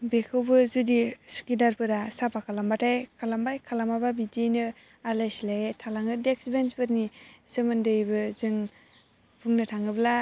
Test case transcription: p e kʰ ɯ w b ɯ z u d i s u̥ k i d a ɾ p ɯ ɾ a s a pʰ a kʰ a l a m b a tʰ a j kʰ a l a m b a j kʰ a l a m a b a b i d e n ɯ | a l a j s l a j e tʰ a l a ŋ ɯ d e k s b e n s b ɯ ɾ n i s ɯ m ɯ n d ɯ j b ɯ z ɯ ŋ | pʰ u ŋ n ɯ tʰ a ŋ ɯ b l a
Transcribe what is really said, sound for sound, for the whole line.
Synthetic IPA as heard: b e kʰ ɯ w b ɯ z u d i s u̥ k i d a ɾ p ɯ ɾ a s a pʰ a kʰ a l a m b a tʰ a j kʰ a l a m b a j kʰ a l a m a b a b i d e n ɯ | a l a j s l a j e tʰ a l a ŋ ɯ d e k s b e n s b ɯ ɾ n i s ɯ m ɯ n d ɯ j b ɯ z ɯ ŋ | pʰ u ŋ n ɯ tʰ a ŋ ɯ b l a